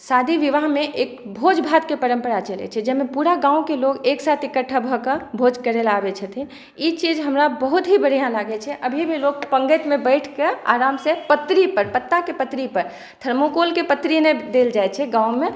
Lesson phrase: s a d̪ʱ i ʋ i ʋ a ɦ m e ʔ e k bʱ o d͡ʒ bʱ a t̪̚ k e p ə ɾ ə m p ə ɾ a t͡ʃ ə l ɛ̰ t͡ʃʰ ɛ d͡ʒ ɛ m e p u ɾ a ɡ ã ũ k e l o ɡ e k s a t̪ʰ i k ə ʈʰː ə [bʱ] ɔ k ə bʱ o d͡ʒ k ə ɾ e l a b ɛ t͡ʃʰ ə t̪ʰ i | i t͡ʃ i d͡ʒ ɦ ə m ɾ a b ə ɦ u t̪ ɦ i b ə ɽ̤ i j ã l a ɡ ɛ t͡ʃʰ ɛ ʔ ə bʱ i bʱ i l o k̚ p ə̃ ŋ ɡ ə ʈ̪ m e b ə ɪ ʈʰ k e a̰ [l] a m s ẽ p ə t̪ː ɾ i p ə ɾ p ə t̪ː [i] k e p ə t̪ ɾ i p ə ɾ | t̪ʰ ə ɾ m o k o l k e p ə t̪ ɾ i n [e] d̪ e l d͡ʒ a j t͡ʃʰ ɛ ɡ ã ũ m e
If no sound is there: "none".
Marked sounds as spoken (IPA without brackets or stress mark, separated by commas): bʱ, ɾ, a, e